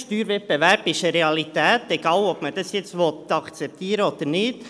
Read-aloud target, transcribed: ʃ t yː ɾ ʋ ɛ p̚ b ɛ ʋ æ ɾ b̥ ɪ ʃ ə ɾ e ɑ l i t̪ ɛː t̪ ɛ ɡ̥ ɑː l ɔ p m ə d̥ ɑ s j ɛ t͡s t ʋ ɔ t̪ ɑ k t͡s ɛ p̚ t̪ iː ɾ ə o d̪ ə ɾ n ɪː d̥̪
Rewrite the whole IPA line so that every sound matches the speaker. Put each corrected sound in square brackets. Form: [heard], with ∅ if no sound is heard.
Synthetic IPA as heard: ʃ t yː ɾ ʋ ɛ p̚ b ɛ ʋ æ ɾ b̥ ɪ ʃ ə ɾ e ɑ l i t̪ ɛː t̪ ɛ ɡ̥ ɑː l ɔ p m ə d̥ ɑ s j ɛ t͡s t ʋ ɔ t̪ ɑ k t͡s ɛ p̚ t̪ iː ɾ ə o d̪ ə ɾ n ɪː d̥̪